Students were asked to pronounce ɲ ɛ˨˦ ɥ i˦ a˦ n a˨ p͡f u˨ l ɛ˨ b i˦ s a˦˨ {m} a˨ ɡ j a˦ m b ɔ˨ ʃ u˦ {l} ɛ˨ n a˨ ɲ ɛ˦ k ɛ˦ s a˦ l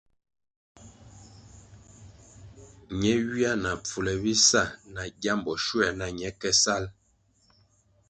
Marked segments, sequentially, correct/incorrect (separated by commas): incorrect, incorrect